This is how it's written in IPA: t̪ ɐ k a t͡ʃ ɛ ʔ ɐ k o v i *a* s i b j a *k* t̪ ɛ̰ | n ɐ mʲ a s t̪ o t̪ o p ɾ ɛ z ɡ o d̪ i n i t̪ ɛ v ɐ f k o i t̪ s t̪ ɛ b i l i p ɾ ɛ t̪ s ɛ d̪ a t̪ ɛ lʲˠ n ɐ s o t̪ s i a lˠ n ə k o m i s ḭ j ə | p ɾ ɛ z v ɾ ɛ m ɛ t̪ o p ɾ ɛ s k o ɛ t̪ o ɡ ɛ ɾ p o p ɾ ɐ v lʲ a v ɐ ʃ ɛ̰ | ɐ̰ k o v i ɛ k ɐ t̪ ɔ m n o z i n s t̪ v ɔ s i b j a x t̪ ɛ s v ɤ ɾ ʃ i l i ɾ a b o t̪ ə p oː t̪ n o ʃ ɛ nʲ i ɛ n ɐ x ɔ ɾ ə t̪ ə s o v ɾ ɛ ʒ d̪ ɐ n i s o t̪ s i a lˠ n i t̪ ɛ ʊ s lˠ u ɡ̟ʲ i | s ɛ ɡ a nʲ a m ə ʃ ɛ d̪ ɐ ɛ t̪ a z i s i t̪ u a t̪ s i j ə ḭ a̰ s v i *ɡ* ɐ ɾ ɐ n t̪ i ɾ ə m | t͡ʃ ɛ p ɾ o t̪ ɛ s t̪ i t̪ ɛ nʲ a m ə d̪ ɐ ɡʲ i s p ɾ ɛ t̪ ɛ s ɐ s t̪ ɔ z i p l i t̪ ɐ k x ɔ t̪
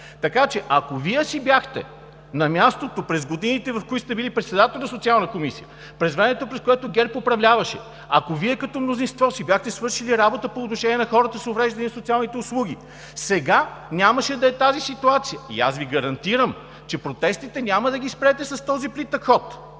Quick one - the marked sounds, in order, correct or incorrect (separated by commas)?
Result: incorrect, incorrect, correct